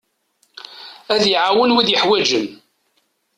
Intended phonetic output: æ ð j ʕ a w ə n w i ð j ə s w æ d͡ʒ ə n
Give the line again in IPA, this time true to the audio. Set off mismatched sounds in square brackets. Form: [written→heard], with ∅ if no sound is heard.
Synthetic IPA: æ ð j ʕ a w ə n w i ð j ə [s→ħ] w æ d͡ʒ ə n